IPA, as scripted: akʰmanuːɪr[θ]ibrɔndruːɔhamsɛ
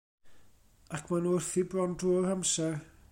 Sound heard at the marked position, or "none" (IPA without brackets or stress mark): θ